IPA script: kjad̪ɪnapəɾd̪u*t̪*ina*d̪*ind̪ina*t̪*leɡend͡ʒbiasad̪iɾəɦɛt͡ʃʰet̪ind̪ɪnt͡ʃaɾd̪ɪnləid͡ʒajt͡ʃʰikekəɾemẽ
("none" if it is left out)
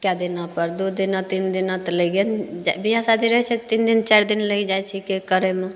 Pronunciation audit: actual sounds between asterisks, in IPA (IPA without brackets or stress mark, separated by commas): d̪, t̪, t̪